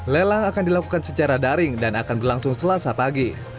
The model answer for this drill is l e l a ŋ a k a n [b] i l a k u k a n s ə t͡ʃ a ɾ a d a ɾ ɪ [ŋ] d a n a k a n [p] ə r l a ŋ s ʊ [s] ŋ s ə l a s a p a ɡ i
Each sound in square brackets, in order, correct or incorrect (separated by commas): incorrect, correct, incorrect, incorrect